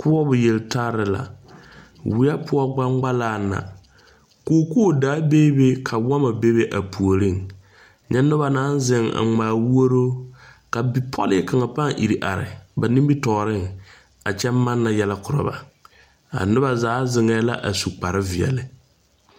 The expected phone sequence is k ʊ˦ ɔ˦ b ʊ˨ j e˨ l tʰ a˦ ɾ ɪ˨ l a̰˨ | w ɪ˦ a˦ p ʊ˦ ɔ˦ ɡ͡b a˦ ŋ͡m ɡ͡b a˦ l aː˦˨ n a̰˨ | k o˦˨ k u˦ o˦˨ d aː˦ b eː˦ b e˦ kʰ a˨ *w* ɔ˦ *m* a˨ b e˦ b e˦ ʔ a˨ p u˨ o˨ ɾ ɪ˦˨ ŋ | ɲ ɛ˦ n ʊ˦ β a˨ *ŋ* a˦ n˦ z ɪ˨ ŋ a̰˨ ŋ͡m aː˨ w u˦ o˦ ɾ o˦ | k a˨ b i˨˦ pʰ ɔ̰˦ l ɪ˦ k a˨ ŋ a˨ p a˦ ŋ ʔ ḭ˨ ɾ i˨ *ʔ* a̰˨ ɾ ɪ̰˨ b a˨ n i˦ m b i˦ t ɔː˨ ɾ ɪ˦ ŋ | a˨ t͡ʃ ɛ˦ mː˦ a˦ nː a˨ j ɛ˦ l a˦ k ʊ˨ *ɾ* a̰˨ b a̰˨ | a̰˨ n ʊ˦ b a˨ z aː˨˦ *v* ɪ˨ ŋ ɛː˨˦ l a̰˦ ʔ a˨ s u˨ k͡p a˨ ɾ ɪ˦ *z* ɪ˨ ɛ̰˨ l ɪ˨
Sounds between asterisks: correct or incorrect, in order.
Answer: correct, correct, incorrect, correct, correct, incorrect, incorrect

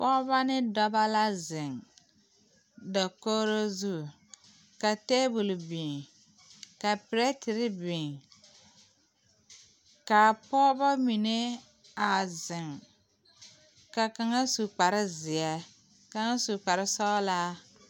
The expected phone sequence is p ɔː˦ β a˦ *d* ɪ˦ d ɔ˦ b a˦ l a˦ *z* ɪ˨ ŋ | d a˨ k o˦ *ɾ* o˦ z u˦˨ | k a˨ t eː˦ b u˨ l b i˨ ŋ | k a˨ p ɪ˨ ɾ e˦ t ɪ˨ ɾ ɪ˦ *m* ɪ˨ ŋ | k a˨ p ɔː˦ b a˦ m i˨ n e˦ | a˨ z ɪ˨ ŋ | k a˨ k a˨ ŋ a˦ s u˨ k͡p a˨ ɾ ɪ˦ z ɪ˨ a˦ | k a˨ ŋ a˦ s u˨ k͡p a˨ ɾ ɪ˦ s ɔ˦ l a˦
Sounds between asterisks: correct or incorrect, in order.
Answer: incorrect, correct, correct, incorrect

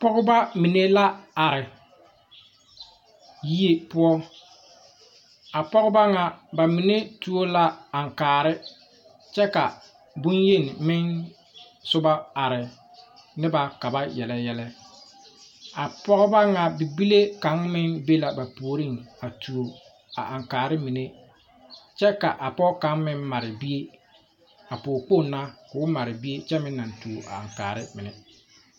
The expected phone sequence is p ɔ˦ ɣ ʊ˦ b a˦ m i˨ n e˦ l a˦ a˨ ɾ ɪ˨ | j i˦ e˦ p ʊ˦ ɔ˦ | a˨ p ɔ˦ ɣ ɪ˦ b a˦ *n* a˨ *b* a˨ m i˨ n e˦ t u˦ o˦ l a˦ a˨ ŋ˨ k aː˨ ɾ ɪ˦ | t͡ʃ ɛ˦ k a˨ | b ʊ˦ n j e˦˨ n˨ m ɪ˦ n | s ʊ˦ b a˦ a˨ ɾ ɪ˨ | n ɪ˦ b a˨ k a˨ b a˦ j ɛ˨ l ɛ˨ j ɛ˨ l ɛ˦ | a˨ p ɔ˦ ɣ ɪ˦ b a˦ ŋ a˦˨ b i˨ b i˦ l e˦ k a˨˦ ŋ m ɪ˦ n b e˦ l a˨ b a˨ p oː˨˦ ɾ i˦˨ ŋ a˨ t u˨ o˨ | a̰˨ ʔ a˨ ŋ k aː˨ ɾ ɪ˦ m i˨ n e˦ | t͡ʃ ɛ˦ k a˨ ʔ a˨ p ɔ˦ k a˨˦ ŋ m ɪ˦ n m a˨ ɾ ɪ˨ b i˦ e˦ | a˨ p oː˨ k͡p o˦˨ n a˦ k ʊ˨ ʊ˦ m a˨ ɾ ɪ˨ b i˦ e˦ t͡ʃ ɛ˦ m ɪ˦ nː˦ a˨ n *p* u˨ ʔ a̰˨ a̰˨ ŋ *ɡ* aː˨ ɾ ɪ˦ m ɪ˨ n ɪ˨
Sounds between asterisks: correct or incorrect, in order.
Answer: incorrect, correct, incorrect, incorrect

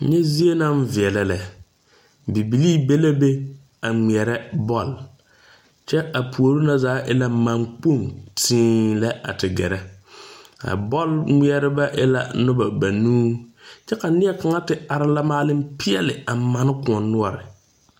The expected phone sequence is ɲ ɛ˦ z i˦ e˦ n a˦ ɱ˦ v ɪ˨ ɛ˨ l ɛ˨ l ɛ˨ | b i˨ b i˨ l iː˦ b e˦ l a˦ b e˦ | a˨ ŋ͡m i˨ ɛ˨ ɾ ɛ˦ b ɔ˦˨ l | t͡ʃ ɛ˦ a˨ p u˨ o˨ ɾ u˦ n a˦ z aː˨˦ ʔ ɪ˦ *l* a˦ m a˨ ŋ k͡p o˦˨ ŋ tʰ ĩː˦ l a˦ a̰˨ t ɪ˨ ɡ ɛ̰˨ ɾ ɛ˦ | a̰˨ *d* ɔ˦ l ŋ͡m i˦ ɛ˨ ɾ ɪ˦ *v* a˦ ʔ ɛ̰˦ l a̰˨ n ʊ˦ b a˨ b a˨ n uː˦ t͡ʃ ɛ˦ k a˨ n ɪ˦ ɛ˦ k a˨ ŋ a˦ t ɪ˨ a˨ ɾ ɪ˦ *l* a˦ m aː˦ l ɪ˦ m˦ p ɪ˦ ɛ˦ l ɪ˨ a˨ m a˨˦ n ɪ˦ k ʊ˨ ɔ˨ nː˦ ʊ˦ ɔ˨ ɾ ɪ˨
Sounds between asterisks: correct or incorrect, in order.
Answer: correct, incorrect, incorrect, correct

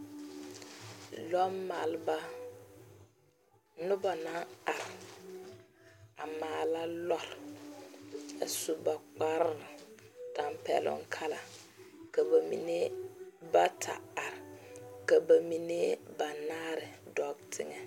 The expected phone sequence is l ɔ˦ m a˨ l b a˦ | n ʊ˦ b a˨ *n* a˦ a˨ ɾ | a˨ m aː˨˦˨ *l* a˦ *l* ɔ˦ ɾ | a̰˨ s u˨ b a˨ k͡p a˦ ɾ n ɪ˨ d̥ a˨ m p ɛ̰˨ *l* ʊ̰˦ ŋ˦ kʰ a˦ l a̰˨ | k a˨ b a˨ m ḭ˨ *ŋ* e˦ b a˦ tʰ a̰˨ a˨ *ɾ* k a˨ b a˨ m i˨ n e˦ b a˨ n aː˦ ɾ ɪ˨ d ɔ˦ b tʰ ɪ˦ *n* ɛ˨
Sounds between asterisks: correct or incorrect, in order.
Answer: correct, correct, correct, correct, incorrect, correct, incorrect

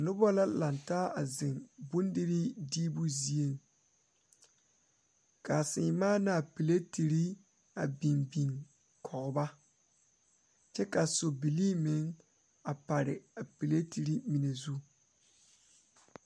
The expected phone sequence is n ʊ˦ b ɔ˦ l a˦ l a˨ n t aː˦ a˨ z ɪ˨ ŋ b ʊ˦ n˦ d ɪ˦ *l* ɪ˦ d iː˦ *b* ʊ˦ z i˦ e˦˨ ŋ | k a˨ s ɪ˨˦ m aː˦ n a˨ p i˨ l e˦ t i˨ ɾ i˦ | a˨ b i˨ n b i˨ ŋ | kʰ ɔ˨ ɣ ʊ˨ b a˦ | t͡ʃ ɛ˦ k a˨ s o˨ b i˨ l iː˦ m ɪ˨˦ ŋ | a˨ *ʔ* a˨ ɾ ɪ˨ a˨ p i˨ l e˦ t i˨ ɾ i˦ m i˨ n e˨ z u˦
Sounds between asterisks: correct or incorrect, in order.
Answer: incorrect, correct, incorrect

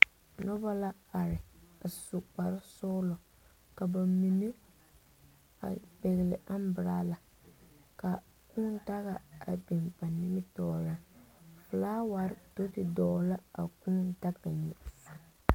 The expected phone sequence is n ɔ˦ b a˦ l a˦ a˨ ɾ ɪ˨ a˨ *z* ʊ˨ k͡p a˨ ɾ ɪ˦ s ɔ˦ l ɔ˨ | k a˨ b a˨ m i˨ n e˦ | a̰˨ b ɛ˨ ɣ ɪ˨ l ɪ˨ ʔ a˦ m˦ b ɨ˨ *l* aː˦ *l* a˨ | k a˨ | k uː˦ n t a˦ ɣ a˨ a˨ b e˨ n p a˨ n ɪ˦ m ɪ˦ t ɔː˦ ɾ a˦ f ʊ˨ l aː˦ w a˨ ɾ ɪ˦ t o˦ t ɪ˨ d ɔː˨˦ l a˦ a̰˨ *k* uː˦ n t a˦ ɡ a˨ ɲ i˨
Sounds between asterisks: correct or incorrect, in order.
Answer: incorrect, incorrect, correct, correct

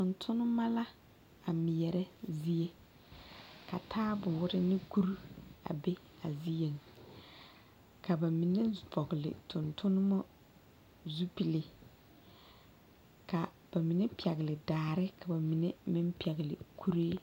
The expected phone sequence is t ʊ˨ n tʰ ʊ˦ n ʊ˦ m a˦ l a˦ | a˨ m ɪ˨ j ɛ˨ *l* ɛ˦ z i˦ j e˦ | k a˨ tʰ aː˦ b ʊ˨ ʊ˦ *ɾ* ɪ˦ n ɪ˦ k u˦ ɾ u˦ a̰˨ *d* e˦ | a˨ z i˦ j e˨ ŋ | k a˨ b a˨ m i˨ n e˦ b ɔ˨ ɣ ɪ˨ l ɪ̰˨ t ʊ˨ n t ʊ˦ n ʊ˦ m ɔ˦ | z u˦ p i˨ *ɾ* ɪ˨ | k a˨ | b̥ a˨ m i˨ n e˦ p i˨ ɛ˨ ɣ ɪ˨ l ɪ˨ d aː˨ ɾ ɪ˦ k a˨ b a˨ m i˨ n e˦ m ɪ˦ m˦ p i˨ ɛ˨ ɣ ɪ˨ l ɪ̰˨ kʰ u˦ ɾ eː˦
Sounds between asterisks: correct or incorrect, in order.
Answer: incorrect, correct, incorrect, incorrect

